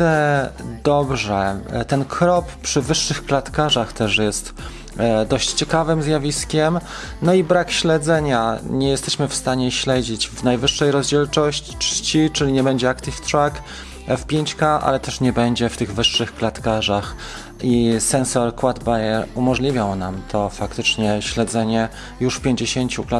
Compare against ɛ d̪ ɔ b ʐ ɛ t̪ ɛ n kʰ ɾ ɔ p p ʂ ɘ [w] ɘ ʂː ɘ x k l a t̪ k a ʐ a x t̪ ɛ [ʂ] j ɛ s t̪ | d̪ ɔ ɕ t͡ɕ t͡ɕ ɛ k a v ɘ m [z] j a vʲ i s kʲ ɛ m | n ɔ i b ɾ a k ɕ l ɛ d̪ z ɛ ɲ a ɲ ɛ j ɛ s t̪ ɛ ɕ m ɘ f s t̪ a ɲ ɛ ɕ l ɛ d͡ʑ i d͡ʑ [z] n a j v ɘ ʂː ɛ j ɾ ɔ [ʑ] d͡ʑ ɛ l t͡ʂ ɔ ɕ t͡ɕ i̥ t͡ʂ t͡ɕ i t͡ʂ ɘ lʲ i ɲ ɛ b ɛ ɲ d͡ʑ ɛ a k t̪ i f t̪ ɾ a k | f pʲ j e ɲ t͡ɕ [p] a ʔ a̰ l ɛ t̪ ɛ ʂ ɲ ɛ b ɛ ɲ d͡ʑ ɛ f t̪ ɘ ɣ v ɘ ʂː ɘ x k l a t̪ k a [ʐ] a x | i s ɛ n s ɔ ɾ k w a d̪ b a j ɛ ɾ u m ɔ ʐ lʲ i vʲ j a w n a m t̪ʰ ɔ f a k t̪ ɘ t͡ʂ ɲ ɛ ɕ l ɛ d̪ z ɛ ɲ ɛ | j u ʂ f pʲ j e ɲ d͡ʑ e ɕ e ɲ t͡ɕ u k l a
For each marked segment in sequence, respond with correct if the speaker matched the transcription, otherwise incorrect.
incorrect: v, correct, correct, incorrect: v, incorrect: z, incorrect: k, correct

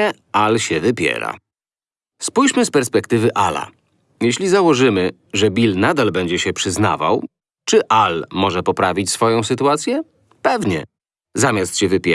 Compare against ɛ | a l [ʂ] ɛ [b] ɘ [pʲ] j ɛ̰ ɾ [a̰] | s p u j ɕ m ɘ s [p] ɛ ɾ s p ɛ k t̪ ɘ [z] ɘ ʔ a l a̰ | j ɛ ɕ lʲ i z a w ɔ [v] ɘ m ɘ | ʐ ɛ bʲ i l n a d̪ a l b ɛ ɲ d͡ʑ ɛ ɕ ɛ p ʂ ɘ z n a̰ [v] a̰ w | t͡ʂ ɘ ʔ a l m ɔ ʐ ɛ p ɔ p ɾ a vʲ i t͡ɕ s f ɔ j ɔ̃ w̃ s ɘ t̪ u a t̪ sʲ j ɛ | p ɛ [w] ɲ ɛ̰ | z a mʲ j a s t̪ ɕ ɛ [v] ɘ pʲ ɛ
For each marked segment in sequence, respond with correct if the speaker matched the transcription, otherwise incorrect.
incorrect: ɕ, incorrect: v, correct, correct, correct, incorrect: v, incorrect: ʐ, correct, incorrect: v, correct

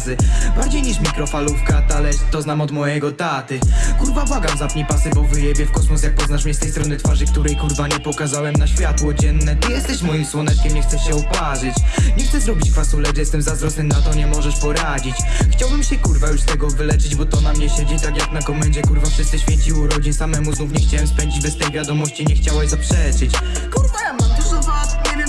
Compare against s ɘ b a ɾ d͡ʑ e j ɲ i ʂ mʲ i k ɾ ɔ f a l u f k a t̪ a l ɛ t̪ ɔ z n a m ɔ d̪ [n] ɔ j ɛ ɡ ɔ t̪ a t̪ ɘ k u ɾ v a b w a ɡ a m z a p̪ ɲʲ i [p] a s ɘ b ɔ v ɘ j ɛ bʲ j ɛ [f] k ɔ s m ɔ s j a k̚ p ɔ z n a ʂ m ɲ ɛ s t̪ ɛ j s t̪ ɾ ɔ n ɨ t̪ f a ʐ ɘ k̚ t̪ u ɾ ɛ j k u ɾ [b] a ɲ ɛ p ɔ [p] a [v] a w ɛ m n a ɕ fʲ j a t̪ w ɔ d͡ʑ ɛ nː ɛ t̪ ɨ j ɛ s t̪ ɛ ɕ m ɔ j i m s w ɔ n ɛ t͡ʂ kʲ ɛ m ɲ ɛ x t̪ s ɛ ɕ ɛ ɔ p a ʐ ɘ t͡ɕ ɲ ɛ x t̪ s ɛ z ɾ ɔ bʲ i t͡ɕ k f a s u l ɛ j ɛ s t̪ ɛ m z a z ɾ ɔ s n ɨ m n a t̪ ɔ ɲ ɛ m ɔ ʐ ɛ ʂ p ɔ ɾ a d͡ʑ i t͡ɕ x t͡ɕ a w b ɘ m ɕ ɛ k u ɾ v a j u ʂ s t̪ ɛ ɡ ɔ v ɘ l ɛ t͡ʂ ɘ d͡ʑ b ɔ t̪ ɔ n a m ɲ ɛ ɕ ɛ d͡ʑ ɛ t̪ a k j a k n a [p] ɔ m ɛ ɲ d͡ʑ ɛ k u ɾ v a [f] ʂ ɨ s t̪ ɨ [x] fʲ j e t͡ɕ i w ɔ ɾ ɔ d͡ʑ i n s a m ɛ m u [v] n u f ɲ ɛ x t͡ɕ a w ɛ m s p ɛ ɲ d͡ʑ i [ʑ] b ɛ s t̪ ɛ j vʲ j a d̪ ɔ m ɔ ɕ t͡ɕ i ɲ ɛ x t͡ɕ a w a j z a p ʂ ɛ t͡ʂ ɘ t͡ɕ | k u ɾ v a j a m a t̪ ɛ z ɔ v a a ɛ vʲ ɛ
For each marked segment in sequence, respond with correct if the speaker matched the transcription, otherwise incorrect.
incorrect: m, correct, correct, incorrect: v, incorrect: k, incorrect: z, incorrect: k, correct, incorrect: ɕ, incorrect: z, incorrect: d͡ʑ

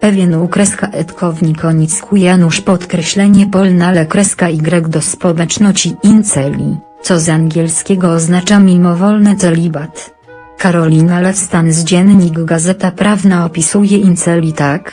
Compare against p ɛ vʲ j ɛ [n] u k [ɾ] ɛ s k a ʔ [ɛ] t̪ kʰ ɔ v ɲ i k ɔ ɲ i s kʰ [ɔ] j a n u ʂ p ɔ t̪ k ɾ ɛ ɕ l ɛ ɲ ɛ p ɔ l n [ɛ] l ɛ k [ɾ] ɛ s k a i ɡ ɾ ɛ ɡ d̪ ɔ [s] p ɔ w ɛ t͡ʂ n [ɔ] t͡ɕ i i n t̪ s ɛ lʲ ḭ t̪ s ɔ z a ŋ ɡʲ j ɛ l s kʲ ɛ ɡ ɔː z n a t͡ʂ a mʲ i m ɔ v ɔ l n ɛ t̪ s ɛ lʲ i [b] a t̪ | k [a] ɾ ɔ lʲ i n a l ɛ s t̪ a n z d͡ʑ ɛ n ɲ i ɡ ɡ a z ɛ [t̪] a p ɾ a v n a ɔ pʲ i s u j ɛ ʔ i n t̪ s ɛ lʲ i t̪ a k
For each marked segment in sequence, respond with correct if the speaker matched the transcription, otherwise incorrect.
correct, correct, correct, incorrect: u, incorrect: a, correct, correct, correct, correct, correct, correct

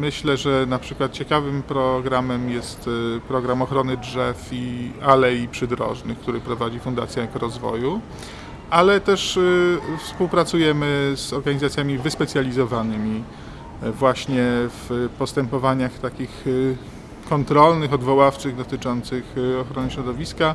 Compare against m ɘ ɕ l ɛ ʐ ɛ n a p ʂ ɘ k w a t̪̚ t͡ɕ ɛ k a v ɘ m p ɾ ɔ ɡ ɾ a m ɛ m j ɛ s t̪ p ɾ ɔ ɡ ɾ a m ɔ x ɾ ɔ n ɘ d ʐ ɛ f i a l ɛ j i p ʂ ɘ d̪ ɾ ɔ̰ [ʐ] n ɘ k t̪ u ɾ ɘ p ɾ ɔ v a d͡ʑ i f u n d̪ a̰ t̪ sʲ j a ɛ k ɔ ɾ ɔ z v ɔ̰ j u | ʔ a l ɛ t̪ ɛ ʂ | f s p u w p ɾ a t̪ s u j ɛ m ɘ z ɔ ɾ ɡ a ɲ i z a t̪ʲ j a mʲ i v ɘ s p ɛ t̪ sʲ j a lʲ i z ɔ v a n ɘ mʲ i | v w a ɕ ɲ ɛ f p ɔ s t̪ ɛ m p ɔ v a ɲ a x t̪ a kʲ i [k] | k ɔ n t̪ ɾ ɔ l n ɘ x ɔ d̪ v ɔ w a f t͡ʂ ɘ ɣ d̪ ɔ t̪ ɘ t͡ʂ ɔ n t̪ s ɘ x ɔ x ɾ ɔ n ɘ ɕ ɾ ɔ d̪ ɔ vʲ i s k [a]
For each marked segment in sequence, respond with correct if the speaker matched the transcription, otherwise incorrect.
correct, incorrect: x, correct

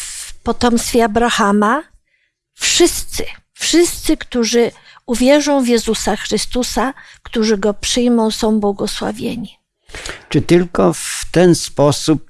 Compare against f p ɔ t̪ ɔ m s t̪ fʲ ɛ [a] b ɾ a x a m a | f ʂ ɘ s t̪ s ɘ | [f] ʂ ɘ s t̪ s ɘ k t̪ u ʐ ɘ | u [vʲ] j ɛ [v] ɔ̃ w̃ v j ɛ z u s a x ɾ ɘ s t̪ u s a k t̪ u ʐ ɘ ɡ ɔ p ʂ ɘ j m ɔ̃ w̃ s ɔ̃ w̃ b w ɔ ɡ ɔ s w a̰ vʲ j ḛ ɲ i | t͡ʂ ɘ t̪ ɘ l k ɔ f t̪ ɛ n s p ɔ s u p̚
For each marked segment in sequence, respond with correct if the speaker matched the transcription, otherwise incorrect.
correct, correct, correct, incorrect: ʐ

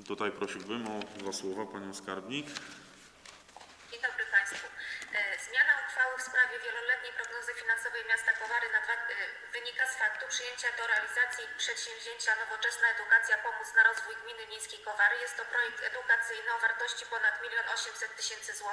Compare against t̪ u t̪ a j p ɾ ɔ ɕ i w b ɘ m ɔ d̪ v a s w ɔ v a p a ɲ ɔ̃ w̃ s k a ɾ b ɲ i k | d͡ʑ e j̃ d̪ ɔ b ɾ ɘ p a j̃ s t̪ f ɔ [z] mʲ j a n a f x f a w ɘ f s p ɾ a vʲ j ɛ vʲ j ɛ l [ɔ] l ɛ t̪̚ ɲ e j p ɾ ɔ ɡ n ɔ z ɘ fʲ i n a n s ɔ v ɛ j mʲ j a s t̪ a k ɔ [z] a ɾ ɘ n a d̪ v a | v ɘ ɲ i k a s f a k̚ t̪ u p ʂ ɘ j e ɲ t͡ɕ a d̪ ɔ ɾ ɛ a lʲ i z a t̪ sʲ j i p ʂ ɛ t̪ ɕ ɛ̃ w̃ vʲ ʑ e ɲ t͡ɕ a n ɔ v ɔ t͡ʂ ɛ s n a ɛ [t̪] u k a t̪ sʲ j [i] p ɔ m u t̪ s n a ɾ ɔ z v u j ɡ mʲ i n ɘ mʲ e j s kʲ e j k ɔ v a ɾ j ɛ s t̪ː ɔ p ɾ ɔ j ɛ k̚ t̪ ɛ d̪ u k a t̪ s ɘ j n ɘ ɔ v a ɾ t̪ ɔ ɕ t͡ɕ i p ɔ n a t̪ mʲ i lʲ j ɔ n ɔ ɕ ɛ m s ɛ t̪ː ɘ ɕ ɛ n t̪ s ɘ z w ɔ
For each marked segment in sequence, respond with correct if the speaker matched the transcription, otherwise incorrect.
correct, correct, incorrect: v, incorrect: d̪, incorrect: a

